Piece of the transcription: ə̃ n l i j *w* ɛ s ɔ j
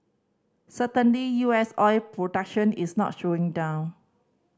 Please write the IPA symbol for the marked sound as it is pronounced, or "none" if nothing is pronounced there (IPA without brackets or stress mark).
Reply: u